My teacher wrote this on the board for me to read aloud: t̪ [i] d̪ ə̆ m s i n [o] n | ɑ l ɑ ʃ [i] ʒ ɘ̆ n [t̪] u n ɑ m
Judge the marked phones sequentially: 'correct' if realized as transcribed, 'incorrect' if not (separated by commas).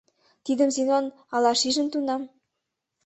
correct, correct, correct, correct